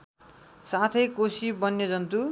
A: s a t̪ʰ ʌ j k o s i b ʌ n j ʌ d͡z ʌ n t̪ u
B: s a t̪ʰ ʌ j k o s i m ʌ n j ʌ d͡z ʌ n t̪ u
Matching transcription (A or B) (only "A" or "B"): A